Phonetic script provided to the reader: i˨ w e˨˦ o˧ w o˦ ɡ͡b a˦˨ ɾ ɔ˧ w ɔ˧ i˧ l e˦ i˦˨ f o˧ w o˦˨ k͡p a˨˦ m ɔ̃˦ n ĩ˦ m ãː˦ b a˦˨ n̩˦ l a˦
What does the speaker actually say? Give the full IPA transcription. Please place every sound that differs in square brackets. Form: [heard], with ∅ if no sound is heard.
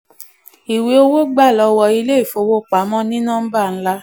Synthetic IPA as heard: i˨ w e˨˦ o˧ w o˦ ɡ͡b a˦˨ [l] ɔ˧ w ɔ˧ i˧ l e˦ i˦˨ f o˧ w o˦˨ k͡p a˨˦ m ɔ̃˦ n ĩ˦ [n] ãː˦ b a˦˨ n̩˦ l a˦